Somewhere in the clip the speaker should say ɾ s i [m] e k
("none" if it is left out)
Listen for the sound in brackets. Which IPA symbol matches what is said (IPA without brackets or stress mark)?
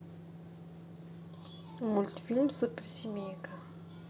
m